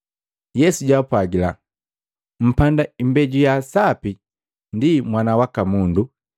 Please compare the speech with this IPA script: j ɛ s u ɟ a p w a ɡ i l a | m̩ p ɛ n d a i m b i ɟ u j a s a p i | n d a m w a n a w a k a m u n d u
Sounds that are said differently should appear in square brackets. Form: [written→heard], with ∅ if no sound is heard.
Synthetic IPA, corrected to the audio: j ɛ s u ɟ a p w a ɡ i l a | m̩ p [ɛ→a] n d a i m b [i→ɛ] ɟ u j a s a p i | n d [a→i] m w a n a w a k a m u n d u